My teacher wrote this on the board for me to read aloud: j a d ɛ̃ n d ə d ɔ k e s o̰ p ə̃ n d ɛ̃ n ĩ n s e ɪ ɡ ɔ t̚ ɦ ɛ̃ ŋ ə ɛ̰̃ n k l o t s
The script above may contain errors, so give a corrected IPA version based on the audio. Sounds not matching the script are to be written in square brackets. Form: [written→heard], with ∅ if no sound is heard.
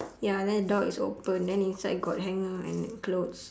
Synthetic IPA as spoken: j a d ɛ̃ n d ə d ɔ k [e→i] s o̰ p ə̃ n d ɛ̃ n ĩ n s [e→a] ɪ ɡ ɔ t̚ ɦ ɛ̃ ŋ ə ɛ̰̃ n k l o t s